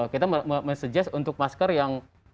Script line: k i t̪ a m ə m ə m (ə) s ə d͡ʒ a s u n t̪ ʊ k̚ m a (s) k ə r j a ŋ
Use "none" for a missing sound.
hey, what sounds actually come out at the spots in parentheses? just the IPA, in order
ə, s

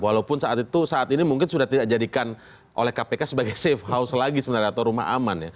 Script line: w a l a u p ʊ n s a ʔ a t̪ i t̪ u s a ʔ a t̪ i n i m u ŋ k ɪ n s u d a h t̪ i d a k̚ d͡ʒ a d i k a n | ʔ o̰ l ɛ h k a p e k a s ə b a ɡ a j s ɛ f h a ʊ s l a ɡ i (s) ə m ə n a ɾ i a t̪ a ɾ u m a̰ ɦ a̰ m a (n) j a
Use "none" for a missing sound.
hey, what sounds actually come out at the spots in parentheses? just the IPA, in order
s, n

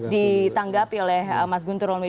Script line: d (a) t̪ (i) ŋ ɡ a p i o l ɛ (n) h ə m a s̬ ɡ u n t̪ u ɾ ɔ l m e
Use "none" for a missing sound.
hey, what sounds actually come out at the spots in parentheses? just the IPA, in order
i, a, none

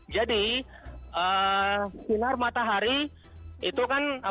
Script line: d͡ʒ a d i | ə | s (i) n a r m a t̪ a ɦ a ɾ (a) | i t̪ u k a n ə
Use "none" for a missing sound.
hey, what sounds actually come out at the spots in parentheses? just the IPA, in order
i, i

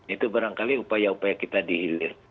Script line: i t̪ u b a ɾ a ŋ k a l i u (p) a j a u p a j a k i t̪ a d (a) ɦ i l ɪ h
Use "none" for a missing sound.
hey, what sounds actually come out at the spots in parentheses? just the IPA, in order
p, i

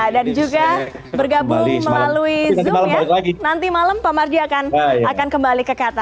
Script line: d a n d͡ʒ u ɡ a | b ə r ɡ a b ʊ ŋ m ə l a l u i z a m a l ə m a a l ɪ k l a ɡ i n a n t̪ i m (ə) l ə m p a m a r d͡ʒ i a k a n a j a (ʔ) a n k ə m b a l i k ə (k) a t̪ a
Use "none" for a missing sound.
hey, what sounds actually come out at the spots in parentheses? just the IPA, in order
a, k, k

